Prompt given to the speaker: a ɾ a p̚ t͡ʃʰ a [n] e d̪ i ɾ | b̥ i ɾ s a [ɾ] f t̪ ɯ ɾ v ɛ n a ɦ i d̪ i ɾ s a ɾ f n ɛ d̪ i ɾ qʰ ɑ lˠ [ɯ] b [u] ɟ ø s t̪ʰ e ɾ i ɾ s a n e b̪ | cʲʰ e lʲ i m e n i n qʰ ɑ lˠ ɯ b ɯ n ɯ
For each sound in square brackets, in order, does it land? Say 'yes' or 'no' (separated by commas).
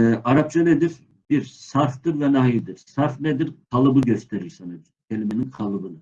yes, yes, yes, no